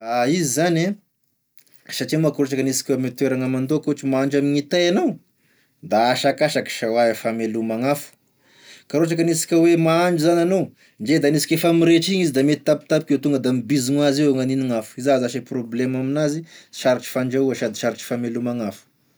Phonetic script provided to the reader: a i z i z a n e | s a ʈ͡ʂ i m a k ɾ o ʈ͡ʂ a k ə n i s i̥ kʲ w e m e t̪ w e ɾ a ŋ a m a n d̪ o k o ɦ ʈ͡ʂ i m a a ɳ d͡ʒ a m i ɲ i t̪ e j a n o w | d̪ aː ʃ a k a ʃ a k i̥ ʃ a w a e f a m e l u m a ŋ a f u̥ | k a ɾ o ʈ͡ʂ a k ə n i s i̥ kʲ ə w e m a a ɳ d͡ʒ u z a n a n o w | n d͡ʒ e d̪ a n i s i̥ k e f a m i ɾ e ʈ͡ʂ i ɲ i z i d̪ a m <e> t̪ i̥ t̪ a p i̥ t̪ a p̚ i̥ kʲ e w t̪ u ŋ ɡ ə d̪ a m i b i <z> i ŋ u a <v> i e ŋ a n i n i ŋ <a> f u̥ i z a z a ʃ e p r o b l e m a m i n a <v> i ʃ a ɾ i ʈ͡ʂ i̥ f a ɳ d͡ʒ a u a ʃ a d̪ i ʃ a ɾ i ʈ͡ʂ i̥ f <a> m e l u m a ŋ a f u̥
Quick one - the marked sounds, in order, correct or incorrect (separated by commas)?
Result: correct, correct, incorrect, correct, incorrect, correct